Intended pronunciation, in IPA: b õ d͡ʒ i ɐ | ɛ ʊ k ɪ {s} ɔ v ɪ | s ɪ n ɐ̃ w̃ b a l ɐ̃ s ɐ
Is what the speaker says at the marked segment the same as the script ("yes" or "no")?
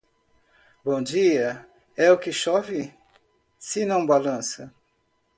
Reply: no